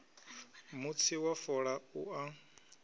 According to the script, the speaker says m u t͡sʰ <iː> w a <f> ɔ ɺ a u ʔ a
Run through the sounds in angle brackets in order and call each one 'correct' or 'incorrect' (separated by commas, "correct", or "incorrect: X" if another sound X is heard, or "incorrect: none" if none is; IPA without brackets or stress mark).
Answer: incorrect: i, correct